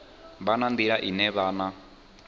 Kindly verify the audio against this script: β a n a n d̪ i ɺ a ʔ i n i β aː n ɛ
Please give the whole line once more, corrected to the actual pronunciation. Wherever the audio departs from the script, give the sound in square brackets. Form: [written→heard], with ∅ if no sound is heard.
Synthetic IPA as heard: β a n a n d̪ i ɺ a ʔ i n [i→ɛ] β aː n [ɛ→a]